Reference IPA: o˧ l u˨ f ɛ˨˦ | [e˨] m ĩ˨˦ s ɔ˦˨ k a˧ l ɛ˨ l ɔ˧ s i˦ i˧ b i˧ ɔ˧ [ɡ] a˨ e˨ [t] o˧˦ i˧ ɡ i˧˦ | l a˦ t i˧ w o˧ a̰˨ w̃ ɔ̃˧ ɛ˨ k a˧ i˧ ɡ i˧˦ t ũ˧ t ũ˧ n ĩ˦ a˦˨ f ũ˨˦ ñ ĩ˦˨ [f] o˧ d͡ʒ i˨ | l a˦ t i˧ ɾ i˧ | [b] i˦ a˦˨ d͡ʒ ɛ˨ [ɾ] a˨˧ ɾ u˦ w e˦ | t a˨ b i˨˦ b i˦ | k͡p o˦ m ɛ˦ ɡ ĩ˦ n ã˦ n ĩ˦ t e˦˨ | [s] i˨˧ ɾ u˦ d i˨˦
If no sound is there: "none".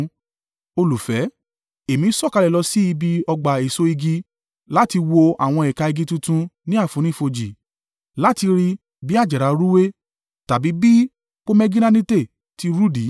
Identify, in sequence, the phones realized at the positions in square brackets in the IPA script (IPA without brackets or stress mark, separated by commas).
e˨, ɡ͡b, s, f, b, ɾ, t